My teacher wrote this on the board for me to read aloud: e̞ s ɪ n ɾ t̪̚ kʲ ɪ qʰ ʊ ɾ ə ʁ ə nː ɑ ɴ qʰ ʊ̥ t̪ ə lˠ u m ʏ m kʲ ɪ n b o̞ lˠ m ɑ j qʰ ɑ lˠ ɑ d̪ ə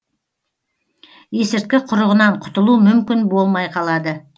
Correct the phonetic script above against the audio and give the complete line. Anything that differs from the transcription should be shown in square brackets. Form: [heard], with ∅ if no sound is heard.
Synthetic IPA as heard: e̞ s ɪ [∅] ɾ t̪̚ kʲ ɪ qʰ ʊ ɾ ə ʁ ə [n] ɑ ɴ qʰ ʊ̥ t̪ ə lˠ u m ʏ m kʲ ɪ n b o̞ lˠ m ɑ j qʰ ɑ lˠ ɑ d̪ ə